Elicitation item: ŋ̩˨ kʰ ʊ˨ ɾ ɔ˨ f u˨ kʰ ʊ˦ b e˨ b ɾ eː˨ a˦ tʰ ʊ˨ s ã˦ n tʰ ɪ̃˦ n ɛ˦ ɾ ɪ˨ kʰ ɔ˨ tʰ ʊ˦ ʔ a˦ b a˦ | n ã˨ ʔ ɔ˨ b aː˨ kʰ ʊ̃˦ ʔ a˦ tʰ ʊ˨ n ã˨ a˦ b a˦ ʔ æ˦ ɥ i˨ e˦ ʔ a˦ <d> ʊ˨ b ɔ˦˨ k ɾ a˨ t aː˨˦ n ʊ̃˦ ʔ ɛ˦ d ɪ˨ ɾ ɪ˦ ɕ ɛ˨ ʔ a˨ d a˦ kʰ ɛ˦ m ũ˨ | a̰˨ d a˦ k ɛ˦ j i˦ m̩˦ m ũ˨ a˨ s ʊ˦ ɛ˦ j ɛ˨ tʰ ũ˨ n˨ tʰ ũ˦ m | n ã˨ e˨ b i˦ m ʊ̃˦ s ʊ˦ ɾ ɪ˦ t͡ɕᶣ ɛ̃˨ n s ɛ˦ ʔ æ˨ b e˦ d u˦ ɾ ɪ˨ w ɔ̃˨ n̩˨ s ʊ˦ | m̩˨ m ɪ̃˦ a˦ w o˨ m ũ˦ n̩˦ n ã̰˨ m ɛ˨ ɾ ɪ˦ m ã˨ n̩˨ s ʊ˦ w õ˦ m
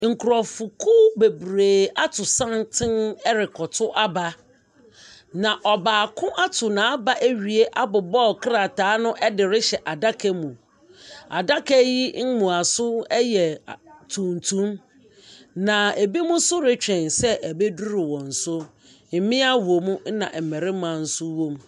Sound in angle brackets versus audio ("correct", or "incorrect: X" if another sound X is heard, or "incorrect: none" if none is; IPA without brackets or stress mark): incorrect: b